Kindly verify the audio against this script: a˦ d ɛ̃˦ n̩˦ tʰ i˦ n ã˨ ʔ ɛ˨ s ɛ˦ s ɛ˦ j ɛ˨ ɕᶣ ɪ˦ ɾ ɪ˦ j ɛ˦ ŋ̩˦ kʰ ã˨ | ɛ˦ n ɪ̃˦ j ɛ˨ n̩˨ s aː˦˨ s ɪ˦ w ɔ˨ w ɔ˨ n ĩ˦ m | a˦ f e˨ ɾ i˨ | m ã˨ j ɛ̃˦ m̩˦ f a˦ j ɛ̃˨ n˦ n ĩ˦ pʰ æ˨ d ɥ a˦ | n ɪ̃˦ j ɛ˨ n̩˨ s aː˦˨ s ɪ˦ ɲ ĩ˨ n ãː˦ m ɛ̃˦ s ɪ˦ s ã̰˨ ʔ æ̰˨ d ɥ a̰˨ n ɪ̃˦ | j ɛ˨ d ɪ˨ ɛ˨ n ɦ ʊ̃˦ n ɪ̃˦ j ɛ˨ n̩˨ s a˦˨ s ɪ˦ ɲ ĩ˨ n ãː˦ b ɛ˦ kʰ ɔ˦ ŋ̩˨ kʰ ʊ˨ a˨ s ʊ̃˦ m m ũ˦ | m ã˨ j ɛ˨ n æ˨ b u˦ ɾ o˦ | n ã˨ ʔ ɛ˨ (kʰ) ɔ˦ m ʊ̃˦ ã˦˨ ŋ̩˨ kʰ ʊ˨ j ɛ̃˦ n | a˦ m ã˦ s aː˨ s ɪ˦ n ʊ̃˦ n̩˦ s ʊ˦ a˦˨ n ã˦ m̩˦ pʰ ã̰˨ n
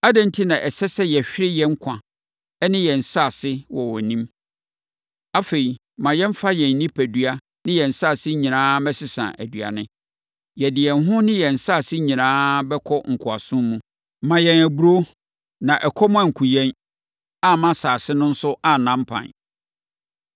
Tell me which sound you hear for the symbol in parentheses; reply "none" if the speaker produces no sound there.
kʰ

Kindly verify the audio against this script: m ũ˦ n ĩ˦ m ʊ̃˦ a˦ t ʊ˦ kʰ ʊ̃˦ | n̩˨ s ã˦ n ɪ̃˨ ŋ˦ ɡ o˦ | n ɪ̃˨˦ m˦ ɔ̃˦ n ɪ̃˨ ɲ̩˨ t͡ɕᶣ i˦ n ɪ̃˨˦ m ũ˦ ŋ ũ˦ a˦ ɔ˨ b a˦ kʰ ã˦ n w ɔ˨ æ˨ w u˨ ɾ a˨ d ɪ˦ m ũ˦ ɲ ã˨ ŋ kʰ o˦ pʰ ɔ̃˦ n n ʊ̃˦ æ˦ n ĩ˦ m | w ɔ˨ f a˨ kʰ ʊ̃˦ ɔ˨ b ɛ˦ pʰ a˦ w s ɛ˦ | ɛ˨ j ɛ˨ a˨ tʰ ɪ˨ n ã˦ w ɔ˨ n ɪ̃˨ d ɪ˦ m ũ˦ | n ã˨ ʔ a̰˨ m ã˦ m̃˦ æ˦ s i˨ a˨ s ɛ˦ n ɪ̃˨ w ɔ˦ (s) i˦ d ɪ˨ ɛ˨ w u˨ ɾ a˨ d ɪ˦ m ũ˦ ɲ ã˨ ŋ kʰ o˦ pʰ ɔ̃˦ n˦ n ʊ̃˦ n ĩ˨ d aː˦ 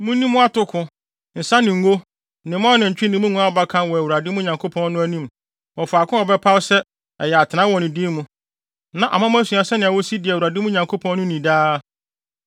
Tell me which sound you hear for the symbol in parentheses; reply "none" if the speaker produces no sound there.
s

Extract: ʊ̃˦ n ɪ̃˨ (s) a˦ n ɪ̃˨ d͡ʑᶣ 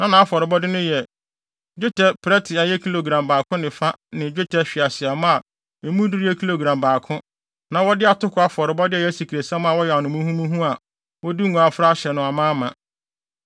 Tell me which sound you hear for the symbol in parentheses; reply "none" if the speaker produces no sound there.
f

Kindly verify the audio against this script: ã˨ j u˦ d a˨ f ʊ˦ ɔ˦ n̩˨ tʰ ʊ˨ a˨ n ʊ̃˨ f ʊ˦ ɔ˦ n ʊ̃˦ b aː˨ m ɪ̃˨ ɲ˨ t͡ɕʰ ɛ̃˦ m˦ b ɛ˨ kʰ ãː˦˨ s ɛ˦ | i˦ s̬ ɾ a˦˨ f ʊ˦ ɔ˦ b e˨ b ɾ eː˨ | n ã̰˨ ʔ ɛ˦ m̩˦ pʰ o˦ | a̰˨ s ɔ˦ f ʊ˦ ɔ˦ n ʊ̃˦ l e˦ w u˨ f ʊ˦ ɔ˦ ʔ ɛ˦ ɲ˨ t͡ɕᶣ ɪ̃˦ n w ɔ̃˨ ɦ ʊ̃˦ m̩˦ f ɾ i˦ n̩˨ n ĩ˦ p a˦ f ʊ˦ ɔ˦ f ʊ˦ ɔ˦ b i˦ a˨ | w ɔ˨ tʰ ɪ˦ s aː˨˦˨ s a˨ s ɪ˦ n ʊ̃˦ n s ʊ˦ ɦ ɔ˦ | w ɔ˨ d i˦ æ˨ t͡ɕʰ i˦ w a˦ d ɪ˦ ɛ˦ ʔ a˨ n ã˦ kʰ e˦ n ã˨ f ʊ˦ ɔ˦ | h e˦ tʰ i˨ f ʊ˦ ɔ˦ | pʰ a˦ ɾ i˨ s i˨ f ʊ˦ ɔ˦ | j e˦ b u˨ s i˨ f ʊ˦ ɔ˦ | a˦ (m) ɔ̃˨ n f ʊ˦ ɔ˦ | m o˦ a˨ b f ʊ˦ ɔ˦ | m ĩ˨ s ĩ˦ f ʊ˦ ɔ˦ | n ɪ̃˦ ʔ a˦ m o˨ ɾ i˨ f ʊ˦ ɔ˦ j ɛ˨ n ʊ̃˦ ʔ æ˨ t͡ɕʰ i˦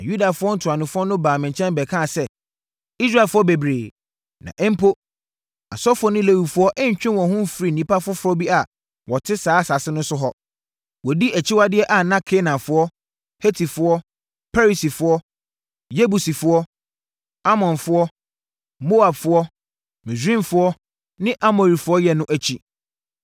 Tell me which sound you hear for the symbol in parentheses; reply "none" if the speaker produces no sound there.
m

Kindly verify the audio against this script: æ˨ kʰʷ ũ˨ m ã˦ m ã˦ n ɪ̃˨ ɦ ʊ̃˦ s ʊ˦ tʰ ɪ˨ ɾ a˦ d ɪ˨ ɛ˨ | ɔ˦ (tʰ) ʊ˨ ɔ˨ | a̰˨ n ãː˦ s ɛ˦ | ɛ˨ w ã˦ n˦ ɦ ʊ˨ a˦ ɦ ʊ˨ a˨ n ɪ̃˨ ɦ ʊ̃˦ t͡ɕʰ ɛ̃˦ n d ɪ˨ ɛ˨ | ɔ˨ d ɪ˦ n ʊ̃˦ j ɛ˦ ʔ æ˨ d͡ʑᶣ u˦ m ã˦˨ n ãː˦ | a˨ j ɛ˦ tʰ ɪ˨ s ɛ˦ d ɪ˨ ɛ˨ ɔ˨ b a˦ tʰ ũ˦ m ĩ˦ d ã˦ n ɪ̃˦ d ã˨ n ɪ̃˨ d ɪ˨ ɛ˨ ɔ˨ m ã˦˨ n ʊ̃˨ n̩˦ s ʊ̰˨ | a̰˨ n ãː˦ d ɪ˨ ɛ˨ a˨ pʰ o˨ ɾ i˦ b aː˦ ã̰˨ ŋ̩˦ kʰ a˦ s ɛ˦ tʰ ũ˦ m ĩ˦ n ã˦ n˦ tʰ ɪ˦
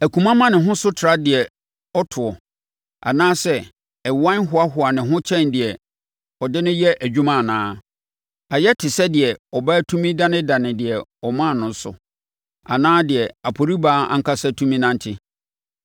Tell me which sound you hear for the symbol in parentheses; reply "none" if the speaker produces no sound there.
tʰ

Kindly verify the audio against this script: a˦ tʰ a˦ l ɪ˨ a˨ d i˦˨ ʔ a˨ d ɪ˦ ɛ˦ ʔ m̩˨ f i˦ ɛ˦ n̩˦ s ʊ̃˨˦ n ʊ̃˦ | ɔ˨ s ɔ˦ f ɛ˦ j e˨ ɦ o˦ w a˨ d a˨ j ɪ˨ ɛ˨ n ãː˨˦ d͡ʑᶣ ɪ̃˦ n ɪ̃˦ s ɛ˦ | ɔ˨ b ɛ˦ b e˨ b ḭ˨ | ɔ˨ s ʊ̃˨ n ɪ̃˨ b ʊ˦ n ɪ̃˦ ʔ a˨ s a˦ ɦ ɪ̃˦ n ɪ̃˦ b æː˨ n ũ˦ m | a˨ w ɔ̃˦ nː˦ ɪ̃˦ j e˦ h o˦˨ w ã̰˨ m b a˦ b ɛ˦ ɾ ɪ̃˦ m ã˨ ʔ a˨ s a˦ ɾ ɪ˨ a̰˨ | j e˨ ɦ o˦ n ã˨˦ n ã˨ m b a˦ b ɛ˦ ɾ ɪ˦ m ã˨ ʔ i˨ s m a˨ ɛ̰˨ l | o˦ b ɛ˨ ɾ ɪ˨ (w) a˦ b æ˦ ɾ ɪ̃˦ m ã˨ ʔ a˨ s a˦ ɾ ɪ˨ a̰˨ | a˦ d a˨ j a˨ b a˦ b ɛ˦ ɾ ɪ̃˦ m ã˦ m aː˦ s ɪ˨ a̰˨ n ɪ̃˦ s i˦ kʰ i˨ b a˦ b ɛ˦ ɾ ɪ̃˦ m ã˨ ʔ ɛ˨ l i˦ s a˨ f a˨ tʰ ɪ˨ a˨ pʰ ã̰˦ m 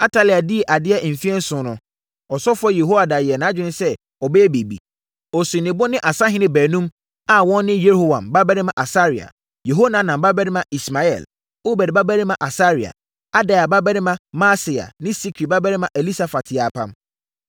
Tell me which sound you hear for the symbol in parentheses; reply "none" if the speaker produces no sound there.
b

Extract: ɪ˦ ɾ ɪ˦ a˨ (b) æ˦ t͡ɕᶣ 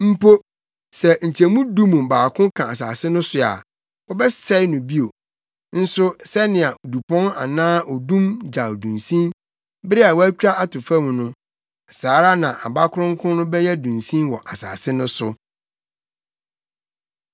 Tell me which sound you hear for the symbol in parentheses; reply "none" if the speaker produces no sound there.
w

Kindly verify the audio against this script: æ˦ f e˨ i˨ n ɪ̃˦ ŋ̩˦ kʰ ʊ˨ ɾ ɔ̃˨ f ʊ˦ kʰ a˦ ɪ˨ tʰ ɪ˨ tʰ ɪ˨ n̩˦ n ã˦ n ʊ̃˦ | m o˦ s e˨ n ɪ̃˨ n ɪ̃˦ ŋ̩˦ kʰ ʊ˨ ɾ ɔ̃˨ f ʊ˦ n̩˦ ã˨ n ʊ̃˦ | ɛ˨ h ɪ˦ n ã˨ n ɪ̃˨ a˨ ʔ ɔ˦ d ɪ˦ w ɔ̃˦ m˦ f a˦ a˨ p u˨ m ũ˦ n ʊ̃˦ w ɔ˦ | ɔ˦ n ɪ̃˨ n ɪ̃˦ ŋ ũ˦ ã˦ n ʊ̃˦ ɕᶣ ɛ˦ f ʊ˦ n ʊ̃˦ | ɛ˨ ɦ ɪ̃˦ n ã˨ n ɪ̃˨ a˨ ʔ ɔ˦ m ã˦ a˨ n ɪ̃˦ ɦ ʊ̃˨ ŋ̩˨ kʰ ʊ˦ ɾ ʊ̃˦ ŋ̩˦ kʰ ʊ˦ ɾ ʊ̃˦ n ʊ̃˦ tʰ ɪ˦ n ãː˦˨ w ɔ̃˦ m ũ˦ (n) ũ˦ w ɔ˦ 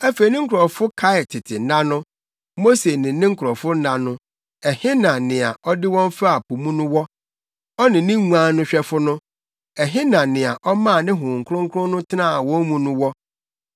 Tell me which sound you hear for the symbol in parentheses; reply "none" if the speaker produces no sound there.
n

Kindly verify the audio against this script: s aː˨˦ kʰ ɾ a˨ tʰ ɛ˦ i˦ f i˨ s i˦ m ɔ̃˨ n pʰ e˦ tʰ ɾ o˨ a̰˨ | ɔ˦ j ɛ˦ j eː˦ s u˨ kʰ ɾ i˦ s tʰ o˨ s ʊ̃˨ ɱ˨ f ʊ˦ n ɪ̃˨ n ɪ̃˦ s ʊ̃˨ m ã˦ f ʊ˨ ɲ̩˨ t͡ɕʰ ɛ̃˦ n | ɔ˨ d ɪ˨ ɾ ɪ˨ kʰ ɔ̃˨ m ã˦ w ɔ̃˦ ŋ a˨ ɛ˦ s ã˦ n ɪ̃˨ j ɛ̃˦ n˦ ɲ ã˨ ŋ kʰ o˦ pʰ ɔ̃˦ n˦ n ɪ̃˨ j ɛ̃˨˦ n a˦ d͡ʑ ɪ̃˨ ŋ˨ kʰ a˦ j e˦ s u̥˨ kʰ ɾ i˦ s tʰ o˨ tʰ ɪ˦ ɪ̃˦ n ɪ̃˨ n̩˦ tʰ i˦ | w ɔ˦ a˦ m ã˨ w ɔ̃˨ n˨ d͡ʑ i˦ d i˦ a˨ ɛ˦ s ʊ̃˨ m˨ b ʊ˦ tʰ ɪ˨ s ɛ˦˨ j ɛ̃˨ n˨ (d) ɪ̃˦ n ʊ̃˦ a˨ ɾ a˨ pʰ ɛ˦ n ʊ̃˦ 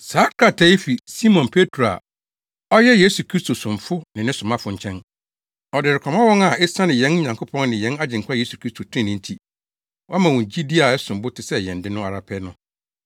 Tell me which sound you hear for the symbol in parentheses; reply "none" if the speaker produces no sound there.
d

